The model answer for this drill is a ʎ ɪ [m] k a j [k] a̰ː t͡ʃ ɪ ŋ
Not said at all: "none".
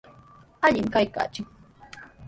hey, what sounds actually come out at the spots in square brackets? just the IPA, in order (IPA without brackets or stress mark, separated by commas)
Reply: m, k